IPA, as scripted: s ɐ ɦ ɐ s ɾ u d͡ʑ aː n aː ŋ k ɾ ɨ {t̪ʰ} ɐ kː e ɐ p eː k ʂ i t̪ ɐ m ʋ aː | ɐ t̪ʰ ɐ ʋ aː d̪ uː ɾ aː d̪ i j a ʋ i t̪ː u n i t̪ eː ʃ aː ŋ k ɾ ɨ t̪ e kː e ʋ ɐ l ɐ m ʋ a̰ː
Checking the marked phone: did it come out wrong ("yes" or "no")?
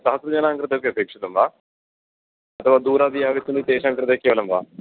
yes